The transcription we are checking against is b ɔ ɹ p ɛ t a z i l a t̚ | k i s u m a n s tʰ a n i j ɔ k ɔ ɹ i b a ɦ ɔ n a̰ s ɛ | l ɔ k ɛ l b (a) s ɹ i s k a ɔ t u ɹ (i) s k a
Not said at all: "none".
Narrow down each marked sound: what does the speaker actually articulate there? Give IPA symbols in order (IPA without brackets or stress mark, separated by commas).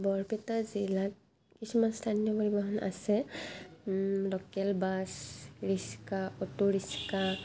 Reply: a, i